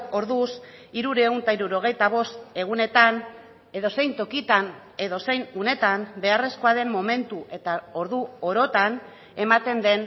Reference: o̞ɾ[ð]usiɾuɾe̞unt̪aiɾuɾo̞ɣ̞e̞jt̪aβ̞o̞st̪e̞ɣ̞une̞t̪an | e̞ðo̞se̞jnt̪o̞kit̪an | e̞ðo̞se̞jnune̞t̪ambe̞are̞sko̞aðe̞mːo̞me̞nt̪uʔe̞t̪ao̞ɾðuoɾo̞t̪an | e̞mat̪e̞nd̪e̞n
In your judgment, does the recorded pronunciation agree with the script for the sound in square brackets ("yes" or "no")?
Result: yes